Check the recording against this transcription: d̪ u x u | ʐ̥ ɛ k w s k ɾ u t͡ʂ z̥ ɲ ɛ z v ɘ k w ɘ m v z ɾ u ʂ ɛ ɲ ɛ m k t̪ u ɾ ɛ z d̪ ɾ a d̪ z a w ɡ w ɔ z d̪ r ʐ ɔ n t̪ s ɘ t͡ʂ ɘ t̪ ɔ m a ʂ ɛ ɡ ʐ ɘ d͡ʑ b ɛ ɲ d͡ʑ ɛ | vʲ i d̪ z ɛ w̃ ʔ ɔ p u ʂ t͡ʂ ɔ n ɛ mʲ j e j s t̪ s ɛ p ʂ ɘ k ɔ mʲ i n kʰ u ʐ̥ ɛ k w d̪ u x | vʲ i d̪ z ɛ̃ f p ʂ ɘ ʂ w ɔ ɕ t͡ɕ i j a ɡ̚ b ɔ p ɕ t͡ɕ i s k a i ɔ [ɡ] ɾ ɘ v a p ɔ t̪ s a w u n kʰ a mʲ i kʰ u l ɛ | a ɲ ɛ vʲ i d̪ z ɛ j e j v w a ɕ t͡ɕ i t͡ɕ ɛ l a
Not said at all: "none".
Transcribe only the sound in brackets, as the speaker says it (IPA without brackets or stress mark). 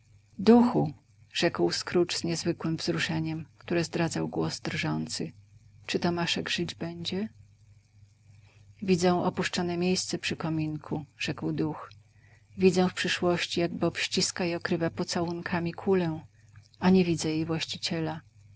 k